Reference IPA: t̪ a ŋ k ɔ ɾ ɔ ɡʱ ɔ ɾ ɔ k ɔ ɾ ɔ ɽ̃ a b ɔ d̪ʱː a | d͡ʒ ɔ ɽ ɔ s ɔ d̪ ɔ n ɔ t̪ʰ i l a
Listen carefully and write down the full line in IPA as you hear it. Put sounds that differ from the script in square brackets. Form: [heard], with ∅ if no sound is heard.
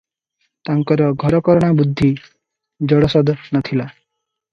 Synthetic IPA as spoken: t̪ a ŋ k ɔ ɾ ɔ ɡʱ ɔ ɾ ɔ k ɔ ɾ ɔ ɽ̃ a b [u] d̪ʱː [i] | d͡ʒ ɔ ɽ ɔ s ɔ d̪ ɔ n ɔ t̪ʰ i l a